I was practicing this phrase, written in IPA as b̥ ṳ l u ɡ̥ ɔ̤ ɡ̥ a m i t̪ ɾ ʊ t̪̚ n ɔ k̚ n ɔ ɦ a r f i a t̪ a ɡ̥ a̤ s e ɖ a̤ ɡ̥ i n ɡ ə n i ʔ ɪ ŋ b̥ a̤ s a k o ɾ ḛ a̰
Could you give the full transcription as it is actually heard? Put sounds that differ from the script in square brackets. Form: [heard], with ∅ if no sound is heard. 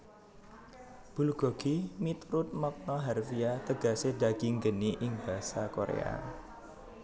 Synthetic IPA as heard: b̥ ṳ l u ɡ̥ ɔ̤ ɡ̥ [i] m i t̪ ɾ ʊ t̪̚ [m] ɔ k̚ n ɔ ɦ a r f i a t̪ [ə] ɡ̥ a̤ s e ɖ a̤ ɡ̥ i [ŋ] ɡ ə n i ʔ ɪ ŋ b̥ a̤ s a k o ɾ ḛ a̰